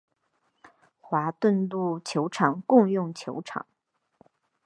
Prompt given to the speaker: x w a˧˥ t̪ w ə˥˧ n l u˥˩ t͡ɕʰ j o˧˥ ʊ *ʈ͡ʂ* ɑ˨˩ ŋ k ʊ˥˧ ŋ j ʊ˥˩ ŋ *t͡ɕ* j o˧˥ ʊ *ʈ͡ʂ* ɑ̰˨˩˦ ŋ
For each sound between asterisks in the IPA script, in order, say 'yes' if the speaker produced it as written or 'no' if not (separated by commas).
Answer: no, no, no